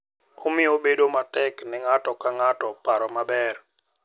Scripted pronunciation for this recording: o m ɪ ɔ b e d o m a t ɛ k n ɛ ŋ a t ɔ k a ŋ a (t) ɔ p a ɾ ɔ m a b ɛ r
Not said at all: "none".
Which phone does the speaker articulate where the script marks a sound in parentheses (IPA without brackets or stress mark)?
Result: t